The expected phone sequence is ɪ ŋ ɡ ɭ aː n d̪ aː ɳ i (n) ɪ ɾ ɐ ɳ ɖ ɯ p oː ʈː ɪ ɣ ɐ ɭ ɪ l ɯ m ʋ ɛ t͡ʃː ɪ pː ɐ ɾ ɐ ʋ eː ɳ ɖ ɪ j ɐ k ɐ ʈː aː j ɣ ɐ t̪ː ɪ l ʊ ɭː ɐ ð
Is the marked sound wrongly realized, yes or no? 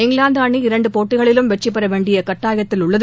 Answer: yes